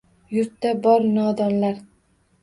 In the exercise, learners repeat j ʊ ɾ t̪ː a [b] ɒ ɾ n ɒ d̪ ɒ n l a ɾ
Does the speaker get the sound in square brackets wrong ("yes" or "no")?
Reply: no